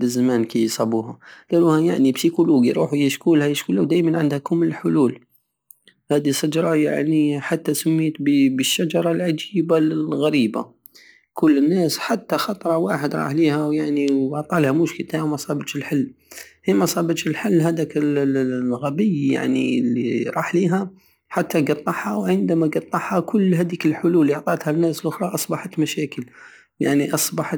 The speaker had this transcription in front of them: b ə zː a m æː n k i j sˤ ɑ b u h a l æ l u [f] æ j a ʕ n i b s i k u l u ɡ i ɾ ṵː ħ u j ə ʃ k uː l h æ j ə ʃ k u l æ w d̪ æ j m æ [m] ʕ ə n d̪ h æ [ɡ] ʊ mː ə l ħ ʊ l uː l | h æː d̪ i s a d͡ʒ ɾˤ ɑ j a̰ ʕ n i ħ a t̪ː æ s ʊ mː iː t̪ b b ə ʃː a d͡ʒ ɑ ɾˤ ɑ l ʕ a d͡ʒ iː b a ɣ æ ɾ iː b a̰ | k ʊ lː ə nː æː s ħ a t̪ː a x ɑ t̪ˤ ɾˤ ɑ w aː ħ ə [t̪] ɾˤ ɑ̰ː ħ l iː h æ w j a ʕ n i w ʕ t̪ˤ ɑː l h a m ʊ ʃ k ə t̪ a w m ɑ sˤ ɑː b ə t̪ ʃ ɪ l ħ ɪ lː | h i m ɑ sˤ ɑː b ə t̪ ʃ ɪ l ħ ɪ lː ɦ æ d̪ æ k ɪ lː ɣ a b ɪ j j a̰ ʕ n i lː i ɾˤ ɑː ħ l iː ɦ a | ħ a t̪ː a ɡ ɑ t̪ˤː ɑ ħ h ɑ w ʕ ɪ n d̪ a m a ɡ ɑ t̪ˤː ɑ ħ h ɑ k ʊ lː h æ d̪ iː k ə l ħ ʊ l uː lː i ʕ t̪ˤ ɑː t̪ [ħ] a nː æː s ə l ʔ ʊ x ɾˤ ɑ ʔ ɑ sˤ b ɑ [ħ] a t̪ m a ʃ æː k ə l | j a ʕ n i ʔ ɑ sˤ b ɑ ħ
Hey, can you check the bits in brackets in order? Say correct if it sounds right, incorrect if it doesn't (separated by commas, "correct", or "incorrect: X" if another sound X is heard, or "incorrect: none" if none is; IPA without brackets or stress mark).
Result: incorrect: h, incorrect: n, incorrect: k, incorrect: d̪, incorrect: h, correct